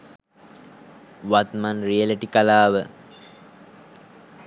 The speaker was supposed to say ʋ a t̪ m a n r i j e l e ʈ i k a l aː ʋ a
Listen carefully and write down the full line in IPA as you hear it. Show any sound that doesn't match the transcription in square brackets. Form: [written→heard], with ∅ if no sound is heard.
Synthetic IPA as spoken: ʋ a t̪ m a n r i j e l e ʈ i k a l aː ʋ [a→ə]